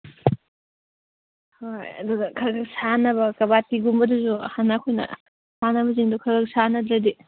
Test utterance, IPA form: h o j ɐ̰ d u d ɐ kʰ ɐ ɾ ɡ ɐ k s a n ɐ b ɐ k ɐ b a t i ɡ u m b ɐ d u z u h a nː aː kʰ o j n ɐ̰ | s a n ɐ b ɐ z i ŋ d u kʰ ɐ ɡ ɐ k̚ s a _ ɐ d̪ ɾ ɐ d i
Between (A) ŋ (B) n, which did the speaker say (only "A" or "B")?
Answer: B